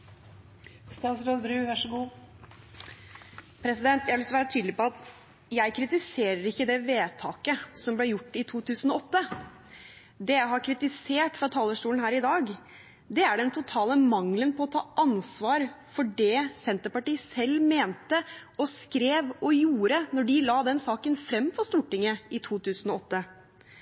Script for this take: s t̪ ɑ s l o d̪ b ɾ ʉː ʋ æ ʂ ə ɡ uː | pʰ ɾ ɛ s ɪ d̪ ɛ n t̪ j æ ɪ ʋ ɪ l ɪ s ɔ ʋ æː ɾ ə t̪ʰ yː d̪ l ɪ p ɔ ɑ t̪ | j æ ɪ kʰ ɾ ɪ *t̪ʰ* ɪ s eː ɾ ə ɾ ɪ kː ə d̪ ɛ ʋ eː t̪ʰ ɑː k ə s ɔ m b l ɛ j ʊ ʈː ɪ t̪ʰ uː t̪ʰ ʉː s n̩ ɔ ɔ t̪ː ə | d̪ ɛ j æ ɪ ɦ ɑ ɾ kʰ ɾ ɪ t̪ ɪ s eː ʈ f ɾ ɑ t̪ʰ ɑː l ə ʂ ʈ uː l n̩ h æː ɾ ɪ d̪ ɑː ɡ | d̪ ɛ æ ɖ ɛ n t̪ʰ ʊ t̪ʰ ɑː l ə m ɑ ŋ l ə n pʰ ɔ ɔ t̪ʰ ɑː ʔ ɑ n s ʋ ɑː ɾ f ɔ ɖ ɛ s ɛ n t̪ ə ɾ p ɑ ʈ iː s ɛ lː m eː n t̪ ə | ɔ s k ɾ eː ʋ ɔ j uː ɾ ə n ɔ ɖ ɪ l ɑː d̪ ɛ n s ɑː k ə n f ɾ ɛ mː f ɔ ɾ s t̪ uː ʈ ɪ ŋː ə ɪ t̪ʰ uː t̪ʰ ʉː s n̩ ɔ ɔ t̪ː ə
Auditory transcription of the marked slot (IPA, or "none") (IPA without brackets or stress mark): t̪